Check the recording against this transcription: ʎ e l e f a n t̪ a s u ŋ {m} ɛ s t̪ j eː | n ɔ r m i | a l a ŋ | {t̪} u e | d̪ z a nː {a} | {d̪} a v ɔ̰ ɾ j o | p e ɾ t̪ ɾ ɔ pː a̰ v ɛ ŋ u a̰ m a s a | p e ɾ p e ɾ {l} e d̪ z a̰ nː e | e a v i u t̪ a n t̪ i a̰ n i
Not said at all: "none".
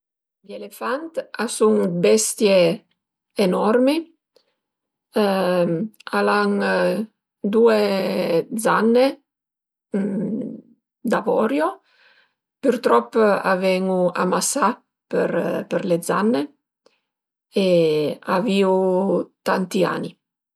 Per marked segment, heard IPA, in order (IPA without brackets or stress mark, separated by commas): b, d̪, e, d̪, l